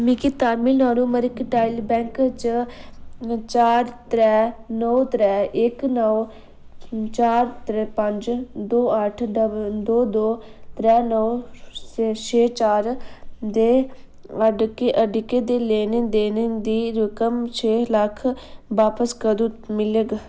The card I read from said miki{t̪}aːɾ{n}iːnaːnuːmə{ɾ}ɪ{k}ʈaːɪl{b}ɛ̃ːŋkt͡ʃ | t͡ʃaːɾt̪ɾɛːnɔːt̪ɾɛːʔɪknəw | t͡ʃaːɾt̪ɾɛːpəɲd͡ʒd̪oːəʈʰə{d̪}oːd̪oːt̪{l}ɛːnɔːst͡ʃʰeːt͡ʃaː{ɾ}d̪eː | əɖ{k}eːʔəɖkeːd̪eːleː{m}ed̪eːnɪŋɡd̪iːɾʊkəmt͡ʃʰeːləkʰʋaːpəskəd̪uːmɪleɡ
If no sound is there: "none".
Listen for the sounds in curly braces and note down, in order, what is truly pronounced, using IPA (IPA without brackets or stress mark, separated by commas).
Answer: t̪, m, ɾ, k, b, d̪, ɾ, ɾ, k, n